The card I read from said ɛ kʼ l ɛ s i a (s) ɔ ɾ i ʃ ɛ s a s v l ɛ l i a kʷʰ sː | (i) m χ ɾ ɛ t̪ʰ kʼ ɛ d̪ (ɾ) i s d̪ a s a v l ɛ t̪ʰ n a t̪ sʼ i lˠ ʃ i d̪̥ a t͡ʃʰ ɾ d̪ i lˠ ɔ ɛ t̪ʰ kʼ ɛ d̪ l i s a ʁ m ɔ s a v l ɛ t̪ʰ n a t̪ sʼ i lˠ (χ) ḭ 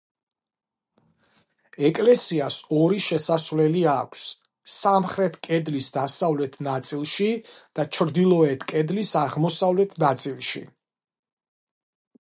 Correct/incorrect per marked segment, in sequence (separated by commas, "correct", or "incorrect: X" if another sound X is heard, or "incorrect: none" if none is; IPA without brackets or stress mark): correct, incorrect: a, incorrect: l, incorrect: ʃ